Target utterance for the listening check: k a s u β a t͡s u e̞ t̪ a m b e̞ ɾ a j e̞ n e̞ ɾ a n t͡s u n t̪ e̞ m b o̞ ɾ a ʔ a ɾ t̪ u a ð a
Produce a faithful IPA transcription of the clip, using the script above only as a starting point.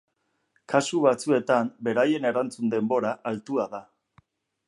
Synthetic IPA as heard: k a s u β a t͡s u e̞ t̪ a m b e̞ ɾ a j e̞ n e̞ ɾ a n t͡s u n d̪ e̞ m b o̞ ɾ a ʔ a l t̪ u a ð a